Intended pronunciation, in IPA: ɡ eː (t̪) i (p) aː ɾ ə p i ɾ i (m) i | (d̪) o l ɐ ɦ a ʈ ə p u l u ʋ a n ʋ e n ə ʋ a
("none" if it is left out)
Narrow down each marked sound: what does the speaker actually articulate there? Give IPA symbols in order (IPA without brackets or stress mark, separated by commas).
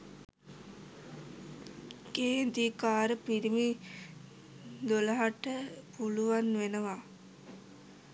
d̪, k, m, d̪